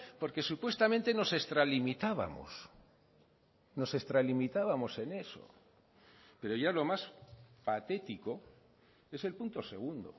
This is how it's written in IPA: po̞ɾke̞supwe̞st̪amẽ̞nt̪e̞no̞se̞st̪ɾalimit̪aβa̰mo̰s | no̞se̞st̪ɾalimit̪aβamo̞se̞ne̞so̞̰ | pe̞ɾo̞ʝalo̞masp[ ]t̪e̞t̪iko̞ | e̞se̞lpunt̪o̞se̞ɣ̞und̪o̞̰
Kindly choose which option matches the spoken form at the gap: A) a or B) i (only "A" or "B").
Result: A